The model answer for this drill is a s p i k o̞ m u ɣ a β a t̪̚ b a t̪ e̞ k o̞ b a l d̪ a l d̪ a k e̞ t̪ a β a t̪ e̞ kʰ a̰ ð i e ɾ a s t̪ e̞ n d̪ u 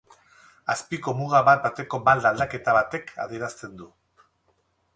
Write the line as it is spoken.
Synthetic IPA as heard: a s p i k o̞ m u ɣ a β a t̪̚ b a t̪ e̞ k o̞ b a l d̪ a l d̪ a k e̞ t̪ a β a t̪ e̞ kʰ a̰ ð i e ɾ a s t̪ e̞ n d̪ u